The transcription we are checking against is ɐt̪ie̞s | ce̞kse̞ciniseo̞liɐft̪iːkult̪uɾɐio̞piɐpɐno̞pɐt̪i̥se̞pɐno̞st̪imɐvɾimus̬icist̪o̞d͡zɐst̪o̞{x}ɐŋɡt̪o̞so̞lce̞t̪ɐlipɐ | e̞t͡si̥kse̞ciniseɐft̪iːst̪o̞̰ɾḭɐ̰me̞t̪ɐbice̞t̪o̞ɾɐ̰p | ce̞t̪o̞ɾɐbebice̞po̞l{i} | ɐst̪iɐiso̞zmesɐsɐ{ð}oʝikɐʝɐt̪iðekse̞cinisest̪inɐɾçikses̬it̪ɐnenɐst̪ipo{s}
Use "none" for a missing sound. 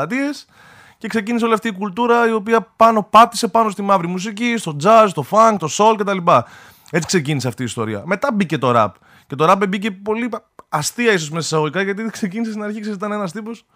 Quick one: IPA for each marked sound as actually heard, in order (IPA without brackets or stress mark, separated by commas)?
f, i, ɣ, s